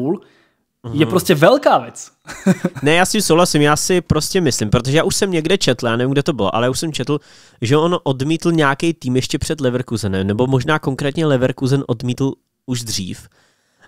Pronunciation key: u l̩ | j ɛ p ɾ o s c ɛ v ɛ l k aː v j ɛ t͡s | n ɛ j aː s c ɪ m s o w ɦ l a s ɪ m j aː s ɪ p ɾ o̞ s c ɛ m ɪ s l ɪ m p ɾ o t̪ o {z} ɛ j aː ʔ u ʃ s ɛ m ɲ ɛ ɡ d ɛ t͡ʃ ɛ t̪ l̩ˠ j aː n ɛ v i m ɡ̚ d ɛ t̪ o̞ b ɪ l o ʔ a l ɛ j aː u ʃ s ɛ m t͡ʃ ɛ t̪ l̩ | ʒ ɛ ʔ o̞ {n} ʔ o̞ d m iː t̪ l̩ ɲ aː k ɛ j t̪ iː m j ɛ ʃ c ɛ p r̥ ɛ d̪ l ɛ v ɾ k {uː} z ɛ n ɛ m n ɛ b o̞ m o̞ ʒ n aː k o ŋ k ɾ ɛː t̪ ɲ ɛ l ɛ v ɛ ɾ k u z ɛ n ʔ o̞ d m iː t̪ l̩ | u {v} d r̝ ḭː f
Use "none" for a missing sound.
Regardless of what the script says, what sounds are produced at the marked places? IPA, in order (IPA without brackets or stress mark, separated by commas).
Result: ʒ, n, u, ʒ